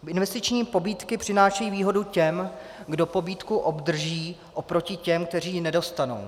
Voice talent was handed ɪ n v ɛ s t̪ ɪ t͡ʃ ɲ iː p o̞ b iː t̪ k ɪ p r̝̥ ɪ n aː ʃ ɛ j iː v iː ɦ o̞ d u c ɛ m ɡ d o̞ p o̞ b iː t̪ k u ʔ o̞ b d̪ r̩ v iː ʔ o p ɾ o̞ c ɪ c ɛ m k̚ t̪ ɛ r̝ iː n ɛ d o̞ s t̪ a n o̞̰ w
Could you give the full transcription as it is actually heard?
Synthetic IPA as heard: ɪ n v ɛ s t̪ ɪ t͡ʃ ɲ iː p o̞ b iː t̪ k ɪ p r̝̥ ɪ n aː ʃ ɛ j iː v iː ɦ o̞ d u c ɛ m ɡ d o̞ p o̞ b iː t̪ k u ʔ o̞ b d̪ r̩ ʒ iː ʔ o p ɾ o̞ c ɪ c ɛ m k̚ t̪ ɛ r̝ iː n ɛ d o̞ s t̪ a n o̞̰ w